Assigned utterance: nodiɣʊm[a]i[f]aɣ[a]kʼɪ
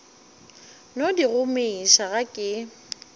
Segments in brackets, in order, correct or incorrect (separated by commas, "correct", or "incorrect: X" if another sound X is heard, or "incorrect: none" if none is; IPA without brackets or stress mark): incorrect: e, incorrect: ʃ, correct